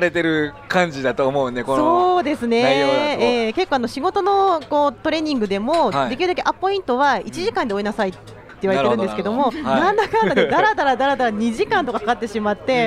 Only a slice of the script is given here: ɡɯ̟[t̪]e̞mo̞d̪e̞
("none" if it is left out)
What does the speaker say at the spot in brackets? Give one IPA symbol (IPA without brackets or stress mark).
d̪